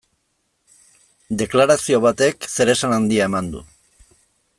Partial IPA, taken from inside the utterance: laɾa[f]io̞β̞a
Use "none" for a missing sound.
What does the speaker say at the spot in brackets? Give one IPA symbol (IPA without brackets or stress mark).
s